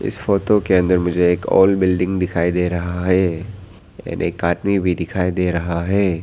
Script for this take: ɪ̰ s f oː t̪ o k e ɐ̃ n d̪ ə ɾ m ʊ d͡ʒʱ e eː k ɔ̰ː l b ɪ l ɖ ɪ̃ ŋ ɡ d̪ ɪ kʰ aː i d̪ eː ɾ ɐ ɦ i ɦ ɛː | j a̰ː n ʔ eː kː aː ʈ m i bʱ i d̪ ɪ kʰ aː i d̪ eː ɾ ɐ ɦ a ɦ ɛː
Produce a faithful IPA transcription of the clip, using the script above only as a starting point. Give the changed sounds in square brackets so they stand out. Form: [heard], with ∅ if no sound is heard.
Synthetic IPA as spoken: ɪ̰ s f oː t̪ o k e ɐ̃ n d̪ ə ɾ m ʊ d͡ʒʱ e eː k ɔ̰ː l b ɪ l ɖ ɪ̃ ŋ ɡ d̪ ɪ kʰ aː i d̪ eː ɾ ɐ ɦ [a] ɦ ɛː | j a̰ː n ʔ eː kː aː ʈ m i bʱ i d̪ ɪ kʰ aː i d̪ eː ɾ ɐ ɦ a ɦ ɛː